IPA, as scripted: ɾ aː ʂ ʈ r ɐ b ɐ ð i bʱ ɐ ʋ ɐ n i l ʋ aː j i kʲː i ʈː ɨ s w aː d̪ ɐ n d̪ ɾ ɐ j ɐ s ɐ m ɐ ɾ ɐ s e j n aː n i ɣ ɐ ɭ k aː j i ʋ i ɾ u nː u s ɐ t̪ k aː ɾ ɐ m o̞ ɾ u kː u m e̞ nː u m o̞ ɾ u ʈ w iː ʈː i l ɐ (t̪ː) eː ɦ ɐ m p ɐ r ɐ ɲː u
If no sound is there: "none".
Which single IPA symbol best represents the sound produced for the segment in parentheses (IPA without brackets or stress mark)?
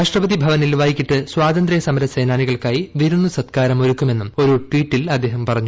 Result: d̪ː